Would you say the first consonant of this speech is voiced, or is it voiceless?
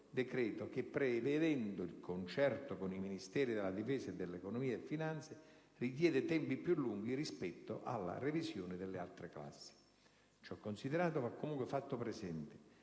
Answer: voiced